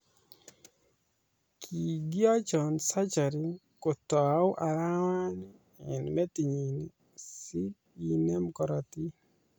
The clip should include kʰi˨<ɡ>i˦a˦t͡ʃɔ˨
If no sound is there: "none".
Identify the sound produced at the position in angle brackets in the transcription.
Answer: ɡ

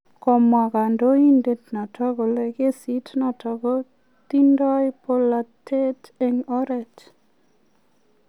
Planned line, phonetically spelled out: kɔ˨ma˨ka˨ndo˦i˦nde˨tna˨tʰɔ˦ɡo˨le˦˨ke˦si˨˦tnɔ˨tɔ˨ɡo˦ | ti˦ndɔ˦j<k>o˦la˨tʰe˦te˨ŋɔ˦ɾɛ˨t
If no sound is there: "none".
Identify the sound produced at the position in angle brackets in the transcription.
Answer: p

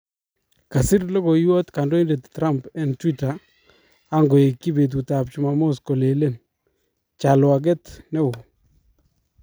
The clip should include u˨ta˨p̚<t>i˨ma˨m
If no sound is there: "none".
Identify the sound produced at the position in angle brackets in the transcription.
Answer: t͡ʃ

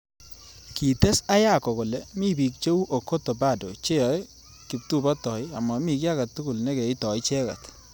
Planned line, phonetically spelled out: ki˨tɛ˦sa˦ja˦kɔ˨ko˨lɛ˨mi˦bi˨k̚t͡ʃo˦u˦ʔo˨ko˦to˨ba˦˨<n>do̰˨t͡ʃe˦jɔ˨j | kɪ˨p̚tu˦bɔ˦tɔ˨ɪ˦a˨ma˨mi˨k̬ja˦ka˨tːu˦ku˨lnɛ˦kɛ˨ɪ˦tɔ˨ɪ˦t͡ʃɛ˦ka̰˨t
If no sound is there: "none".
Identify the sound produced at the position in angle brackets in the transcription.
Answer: none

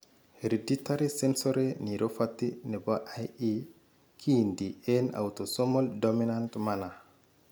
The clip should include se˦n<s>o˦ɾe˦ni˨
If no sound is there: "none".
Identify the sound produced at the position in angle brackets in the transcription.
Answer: s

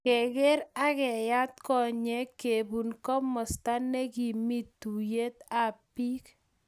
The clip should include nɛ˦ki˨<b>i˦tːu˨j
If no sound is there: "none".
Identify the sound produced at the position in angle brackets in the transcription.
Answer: m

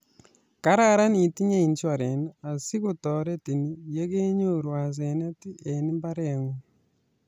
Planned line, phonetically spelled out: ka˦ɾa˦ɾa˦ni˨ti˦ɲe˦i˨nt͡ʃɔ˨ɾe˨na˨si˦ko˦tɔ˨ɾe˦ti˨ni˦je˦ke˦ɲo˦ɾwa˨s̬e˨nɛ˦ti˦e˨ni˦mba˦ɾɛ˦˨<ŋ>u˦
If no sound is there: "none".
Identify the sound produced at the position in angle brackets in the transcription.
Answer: ŋ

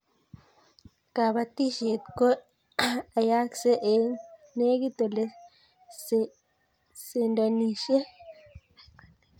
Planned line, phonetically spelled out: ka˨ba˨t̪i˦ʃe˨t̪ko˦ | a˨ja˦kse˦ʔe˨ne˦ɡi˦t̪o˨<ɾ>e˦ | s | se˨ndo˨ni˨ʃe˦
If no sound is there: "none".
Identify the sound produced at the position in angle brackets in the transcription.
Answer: l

